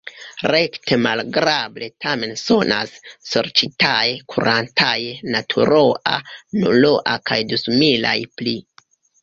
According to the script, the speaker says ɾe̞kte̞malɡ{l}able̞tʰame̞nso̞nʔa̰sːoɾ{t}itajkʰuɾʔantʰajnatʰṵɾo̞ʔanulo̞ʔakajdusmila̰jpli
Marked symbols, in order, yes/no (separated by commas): no, no